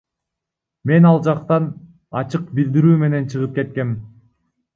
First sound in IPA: m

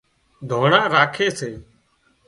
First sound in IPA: d̪ʱ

